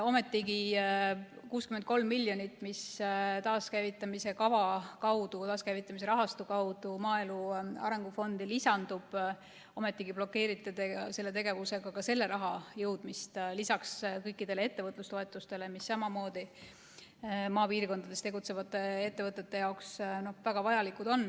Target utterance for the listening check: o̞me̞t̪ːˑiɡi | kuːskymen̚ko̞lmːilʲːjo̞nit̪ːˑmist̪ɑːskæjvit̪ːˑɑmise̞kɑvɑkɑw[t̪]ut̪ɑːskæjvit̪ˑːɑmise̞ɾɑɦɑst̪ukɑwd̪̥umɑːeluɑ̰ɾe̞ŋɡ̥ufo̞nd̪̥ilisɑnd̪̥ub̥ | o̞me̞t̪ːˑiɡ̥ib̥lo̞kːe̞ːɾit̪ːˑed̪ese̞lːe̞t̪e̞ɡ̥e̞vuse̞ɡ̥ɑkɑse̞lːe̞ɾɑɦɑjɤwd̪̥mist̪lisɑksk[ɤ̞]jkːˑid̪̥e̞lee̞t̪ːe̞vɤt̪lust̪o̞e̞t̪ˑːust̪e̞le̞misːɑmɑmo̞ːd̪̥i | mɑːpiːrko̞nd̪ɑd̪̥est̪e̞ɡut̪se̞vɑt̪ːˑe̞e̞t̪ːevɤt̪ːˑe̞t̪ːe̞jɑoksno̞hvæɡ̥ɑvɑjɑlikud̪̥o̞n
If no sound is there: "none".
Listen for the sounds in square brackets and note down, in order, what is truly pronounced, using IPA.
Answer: d̪, ɤ̞

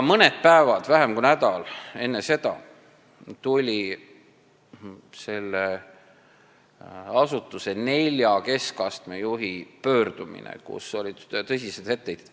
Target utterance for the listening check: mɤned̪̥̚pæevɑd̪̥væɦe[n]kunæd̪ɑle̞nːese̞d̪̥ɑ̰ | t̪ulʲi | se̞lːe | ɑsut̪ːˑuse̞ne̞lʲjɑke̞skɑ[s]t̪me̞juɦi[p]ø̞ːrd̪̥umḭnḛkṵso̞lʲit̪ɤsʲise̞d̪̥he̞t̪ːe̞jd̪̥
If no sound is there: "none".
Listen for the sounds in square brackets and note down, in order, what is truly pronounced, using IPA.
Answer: m, s, p

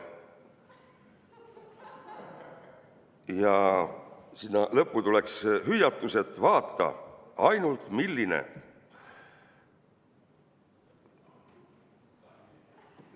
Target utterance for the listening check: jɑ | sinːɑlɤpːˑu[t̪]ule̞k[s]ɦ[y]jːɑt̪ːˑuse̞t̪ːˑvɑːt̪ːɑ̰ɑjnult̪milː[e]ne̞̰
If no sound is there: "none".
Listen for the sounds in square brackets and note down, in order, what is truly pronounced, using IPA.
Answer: t̪, s, y, i

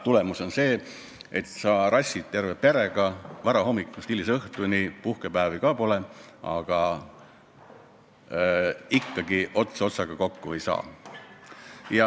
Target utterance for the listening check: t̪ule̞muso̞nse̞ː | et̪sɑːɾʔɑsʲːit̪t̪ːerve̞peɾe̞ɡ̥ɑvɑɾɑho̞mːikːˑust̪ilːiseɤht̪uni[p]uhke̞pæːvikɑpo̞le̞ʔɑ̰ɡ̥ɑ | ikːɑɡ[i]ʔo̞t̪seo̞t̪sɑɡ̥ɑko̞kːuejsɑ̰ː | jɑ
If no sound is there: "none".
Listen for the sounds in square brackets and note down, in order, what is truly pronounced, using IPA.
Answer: p, i

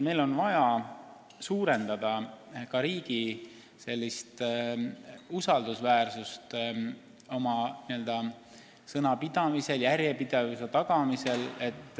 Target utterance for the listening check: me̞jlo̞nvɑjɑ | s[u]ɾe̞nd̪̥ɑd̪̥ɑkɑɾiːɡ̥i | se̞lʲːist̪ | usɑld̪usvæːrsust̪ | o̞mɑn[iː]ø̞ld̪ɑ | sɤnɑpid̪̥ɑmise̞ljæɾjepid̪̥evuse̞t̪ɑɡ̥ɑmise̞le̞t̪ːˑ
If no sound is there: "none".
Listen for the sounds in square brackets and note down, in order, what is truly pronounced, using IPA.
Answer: uː, i

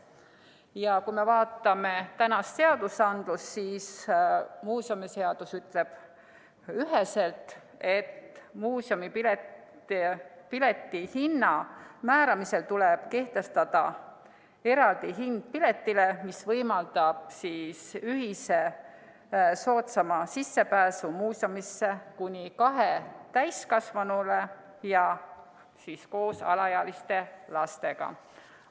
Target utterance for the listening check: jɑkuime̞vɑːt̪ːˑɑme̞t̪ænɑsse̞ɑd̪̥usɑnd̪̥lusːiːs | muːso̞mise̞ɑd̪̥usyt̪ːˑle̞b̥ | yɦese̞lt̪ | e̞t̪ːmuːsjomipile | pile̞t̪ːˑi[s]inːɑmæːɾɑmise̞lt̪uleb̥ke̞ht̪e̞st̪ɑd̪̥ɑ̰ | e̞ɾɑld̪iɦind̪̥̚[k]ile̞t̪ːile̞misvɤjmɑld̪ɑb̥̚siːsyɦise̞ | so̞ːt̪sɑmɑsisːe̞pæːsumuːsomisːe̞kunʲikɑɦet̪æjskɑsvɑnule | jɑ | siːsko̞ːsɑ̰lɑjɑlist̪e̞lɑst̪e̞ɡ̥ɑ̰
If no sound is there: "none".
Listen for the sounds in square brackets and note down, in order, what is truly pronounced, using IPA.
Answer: h, p

